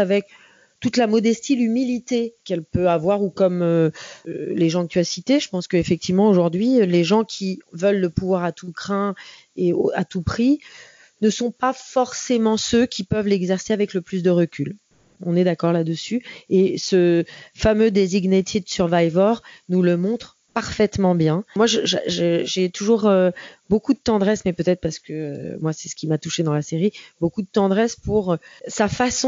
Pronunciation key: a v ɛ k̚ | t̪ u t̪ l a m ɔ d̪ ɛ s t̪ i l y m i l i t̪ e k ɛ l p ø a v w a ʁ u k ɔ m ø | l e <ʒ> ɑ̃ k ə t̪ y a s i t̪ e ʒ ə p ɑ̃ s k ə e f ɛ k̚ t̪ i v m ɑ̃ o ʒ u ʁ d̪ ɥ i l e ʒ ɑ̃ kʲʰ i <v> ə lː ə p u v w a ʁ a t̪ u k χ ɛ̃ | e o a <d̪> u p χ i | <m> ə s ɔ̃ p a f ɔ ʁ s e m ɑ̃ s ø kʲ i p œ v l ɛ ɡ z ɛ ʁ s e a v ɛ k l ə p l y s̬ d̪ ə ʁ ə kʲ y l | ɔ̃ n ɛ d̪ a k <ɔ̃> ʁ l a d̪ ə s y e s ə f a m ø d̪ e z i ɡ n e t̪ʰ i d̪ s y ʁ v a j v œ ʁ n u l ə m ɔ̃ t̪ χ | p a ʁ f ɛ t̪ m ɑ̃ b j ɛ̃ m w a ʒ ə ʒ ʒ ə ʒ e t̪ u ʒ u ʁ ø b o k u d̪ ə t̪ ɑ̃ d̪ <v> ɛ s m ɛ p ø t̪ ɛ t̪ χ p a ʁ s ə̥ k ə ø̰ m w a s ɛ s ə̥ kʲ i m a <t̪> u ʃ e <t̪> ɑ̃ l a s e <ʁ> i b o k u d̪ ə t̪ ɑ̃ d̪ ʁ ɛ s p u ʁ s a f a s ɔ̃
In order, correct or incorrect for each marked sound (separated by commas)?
correct, correct, incorrect, incorrect, incorrect, incorrect, correct, incorrect, correct